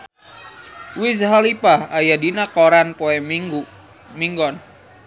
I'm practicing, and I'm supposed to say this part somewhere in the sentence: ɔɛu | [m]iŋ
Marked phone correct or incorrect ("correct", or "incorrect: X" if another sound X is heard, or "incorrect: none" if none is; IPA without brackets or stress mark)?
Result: correct